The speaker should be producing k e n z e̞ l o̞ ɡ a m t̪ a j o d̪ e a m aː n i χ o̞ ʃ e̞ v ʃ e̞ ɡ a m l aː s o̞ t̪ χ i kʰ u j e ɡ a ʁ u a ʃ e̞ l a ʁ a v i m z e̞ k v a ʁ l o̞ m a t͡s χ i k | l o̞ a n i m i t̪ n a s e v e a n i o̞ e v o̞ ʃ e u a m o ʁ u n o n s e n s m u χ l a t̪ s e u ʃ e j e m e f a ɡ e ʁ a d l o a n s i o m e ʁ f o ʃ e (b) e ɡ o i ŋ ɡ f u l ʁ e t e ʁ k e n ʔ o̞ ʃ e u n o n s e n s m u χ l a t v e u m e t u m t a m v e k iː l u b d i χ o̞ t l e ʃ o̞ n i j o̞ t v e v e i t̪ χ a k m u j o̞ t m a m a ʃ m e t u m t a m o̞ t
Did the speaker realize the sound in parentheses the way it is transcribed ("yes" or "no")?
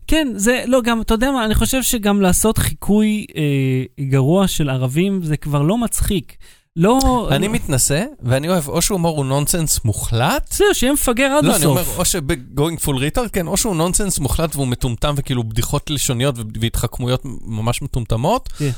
yes